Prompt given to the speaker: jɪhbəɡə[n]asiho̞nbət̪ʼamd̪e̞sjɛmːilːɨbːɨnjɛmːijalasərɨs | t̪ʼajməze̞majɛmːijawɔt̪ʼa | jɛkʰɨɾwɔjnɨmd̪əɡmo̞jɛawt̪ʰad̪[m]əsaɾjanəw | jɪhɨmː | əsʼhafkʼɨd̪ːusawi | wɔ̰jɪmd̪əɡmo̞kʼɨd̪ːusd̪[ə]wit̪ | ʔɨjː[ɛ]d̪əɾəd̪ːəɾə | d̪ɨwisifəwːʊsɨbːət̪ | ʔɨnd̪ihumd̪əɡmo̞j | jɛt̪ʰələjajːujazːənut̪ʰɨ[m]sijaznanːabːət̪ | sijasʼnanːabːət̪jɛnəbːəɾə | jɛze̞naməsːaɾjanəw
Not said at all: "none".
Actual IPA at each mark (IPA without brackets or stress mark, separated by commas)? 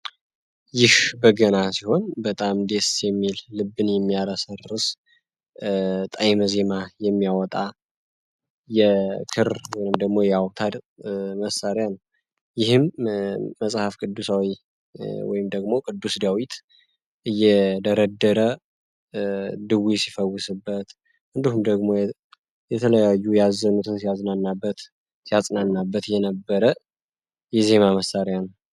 n, m, a, ɛ, n